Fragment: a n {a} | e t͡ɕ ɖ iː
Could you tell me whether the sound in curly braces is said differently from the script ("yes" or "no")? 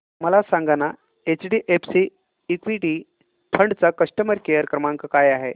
no